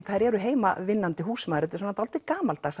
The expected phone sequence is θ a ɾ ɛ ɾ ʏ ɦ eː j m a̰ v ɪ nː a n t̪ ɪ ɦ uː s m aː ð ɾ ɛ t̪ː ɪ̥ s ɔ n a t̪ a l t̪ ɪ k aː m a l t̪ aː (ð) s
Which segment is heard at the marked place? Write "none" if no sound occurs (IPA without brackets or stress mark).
none